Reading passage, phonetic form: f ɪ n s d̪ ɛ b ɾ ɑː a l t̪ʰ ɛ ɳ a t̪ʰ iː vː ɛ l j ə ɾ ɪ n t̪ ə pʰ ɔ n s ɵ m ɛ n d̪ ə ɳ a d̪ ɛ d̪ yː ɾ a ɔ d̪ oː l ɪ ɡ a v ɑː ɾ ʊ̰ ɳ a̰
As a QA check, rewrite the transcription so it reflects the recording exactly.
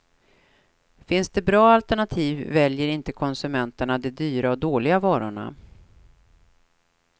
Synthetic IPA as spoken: f ɪ n s d̪ ɛ b ɾ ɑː a l t̪ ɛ ɳ a t̪ʰ iː vː ɛ l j ə ɾ ɪ n t̪ ə kʰ ɔ n s ɵ m ɛ n t̪ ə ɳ a d̪ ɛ d̪ yː ɾ a ɔ d̪ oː l ɪ ɡ a v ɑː ɾ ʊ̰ ɳ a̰

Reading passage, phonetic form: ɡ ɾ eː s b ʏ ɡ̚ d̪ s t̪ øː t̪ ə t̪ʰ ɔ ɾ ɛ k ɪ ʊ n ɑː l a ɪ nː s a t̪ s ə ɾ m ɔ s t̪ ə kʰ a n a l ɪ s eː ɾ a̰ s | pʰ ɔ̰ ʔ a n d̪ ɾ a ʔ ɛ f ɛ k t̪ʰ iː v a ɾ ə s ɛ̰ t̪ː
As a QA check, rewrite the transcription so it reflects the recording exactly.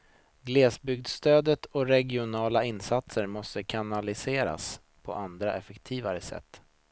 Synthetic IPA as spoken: ɡ l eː s b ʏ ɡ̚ d̪ s t̪ øː d̪ ə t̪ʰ ɔ ɾ ɛ ɡ ɪ ʊ n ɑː l a ɪ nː s a t̪ s ə ɾ m ɔ s t̪ ə kʰ a n a l ɪ s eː ɾ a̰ s | pʰ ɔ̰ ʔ a n d̪ ɾ a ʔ ɛ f ɛ k t̪ʰ iː v a ɾ ə s ɛ̰ t̪ː

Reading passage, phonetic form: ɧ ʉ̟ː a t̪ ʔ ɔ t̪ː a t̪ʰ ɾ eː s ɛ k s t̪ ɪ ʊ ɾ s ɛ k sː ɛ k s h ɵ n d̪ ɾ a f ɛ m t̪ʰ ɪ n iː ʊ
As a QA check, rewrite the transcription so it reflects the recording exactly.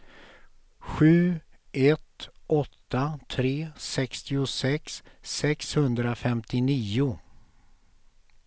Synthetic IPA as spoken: ɧ ʉ̟ː ɛ t̪ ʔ ɔ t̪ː a t̪ʰ ɾ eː s ɛ k s t̪ ɪ ʊ s ɛ k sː ɛ k s h ɵ n d̪ ɾ a f ɛ m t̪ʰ ɪ n iː ʊ

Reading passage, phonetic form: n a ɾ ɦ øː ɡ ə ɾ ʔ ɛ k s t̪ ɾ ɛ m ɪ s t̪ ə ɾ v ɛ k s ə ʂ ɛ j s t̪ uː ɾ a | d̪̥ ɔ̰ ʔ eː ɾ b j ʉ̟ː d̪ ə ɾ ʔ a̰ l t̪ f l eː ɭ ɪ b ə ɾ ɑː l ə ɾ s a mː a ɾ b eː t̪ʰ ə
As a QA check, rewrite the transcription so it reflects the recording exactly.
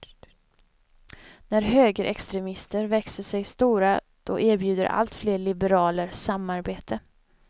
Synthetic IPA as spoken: n æ ɾ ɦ øː ɡ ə ɾ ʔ ɛ k s t̪ ɾ ɛ m ɪ s t̪ ə ɾ v ɛ k s ə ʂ ɛ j s t̪ uː ɾ a | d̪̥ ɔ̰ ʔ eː ɾ b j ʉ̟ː d̪ ə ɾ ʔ a̰ l t̪ f l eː ɭ ɪ b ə ɾ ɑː l ə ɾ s a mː a ɾ b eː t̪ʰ ə

